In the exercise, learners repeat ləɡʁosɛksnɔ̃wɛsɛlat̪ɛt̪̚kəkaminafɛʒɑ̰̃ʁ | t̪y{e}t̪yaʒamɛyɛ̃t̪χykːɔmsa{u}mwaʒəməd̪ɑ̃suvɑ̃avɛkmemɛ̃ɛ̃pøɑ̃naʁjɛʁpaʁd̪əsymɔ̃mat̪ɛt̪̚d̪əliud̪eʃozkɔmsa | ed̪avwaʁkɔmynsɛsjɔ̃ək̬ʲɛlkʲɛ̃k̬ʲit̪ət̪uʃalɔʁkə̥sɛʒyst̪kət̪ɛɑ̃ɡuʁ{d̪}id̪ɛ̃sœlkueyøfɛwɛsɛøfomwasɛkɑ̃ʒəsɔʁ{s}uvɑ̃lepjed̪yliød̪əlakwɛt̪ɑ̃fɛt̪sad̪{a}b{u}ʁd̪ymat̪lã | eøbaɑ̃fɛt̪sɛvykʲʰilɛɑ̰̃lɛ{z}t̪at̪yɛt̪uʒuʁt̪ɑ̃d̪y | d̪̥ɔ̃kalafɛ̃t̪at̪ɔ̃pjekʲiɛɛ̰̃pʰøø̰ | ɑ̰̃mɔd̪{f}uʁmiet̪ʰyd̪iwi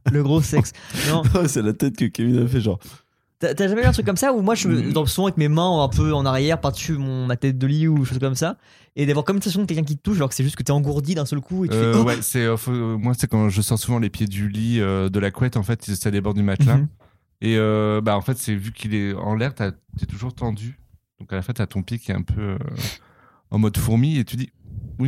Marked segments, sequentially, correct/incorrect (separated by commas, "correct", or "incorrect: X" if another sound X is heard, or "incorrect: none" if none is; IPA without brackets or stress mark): incorrect: a, correct, correct, correct, incorrect: e, incorrect: ɔ, incorrect: ʁ, correct